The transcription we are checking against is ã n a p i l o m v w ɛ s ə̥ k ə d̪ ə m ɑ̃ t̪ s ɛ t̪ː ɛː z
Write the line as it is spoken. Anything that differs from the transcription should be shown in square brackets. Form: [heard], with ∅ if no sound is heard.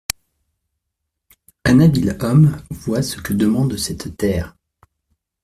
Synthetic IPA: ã n a [b] i l [ɔ] m v w [a] s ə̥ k ə d̪ ə m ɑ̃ [d̪] s ɛ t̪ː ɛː [ʁ]